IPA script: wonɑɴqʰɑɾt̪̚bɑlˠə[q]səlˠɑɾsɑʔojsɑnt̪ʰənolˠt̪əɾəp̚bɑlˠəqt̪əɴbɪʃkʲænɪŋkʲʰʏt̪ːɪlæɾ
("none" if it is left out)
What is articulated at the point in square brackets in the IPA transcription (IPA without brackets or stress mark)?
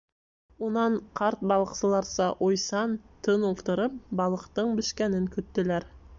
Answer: q